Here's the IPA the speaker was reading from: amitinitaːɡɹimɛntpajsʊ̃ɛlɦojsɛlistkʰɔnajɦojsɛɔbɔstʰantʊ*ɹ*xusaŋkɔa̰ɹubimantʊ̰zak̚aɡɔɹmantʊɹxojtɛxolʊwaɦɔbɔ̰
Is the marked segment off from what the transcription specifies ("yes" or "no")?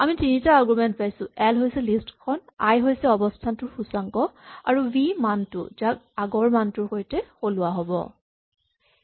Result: no